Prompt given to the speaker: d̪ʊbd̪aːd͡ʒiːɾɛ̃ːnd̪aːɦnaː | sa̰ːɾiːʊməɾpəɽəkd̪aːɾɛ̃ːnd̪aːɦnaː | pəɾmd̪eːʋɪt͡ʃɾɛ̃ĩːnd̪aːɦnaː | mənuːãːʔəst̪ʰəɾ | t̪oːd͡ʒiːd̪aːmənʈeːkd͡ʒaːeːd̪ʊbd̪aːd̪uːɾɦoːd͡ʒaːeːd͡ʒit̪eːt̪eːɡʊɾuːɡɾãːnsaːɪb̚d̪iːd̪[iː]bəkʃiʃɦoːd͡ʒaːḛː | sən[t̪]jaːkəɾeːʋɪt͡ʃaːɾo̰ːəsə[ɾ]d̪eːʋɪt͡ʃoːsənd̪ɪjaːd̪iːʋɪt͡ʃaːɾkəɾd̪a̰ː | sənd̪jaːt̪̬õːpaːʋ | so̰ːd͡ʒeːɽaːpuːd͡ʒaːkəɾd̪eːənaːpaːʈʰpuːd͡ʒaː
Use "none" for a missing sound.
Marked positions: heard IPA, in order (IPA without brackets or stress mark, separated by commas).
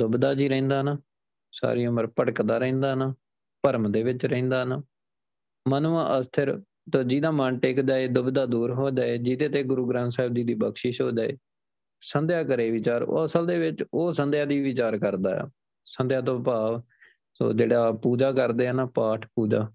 iː, d̪, l